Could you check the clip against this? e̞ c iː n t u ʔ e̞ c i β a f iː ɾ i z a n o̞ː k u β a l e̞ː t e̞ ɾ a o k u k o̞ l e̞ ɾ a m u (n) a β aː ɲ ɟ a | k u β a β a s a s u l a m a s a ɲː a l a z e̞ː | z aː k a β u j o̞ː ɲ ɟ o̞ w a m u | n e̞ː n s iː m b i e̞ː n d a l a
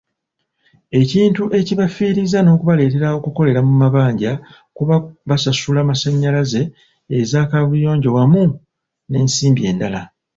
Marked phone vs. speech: incorrect: m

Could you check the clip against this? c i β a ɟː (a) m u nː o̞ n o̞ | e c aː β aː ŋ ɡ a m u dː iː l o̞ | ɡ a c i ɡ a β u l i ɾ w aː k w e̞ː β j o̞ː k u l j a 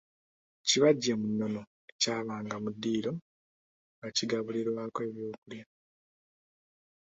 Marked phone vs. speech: incorrect: e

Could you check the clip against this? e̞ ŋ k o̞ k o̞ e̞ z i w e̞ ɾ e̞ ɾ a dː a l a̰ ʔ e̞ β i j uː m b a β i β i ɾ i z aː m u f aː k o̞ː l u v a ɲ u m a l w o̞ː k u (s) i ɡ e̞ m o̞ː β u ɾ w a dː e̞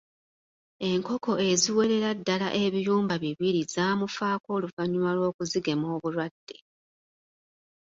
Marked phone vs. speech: incorrect: z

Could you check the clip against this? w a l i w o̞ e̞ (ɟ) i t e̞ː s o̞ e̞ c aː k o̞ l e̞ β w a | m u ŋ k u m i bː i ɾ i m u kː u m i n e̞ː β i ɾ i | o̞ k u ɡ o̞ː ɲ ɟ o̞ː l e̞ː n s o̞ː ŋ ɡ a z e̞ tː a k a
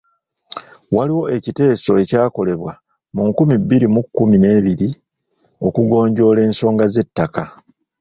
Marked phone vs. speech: incorrect: c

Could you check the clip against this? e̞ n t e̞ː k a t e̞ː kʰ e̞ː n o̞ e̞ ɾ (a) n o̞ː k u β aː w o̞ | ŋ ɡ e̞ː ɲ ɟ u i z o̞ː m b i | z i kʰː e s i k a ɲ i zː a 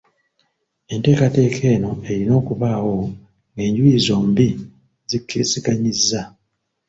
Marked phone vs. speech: incorrect: i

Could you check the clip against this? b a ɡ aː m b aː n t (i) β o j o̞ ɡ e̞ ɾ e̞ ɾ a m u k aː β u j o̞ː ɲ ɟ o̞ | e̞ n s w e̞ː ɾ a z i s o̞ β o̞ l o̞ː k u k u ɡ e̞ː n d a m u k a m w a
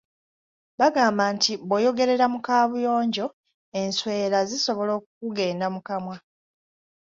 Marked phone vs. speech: correct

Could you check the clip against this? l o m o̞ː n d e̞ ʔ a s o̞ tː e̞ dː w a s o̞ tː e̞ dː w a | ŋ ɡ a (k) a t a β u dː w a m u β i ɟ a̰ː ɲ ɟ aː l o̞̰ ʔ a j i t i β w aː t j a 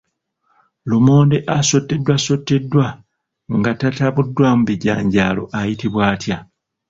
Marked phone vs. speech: incorrect: t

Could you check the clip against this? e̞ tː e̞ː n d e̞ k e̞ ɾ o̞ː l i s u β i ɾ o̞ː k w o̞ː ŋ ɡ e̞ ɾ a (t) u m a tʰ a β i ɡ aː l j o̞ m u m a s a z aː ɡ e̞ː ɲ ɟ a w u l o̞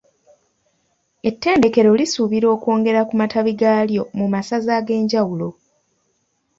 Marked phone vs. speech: incorrect: k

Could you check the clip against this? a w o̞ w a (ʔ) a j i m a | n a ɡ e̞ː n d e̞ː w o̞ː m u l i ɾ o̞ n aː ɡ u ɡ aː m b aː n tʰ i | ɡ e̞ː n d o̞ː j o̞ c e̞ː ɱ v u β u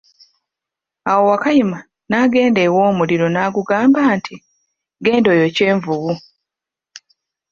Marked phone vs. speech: incorrect: k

